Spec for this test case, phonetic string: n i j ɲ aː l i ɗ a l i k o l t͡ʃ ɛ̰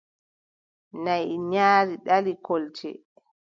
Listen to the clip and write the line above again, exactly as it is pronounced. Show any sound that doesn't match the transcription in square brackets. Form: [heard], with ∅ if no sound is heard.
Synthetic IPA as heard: n [a] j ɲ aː [ɾ] i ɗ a l i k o l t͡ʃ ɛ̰